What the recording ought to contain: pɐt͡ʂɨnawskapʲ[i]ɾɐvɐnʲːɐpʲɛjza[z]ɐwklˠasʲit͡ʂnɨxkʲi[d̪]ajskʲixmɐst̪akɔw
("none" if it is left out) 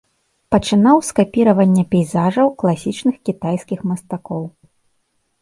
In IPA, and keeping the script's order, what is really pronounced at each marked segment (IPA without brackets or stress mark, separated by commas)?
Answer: i, ʐ, t̪